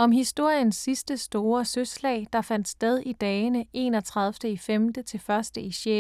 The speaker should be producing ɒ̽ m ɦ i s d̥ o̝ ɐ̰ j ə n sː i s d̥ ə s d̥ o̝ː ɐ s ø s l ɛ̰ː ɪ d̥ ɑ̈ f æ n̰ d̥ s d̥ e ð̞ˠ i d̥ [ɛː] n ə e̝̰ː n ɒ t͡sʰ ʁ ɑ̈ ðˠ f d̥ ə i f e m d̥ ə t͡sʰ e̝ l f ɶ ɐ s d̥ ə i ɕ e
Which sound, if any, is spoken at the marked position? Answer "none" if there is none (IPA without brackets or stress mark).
ɛː